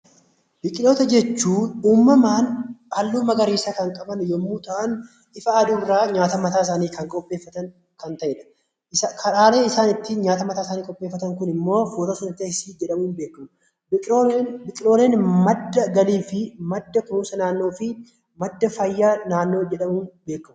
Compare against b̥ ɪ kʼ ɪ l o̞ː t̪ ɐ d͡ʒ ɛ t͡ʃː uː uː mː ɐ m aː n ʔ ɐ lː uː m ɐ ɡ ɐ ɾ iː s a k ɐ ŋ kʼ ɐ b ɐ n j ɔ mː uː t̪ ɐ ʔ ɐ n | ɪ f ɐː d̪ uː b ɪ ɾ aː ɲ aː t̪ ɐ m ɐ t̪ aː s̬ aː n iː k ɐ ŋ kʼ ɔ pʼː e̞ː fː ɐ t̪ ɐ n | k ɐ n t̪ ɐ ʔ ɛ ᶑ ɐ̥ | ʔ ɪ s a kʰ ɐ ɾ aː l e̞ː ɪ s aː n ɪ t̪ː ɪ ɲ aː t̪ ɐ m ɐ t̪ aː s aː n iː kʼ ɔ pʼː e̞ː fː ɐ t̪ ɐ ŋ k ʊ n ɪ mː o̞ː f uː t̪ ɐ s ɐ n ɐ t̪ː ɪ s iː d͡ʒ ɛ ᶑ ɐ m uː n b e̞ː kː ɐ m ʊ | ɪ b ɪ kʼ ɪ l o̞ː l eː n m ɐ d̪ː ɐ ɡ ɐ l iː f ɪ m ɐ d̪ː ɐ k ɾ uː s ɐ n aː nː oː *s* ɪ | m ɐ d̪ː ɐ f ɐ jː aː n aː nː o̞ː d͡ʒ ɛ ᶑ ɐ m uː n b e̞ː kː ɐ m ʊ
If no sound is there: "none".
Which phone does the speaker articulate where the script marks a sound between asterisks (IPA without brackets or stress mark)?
f